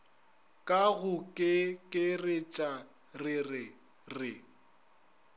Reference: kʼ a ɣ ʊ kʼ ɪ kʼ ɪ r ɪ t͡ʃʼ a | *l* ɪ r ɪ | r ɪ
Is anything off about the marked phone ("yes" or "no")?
yes